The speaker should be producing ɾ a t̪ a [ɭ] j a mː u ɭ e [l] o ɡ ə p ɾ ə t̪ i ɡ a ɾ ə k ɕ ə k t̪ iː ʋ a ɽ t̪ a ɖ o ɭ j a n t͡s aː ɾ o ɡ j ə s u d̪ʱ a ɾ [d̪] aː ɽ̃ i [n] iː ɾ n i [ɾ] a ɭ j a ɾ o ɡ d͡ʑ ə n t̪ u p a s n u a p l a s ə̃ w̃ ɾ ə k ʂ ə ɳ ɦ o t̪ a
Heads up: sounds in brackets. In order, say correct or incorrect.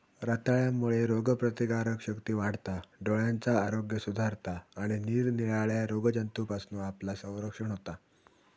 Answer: correct, incorrect, incorrect, correct, incorrect

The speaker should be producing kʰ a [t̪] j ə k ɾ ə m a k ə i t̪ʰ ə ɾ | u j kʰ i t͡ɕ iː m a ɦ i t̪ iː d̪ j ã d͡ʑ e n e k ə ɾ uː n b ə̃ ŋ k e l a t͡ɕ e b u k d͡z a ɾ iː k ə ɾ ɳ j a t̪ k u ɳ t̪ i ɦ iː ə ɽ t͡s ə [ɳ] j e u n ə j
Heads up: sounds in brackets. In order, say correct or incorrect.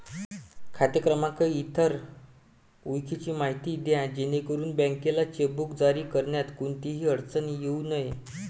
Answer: correct, incorrect

